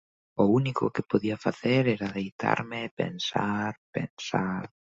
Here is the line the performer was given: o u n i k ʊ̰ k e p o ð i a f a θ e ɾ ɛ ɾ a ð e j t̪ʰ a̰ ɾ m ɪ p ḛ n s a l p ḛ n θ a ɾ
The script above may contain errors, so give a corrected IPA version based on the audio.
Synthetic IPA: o u n i k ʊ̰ k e p o ð i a f a θ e ɾ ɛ ɾ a ð e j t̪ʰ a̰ ɾ m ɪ p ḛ n s a ɾ p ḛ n s a ɾ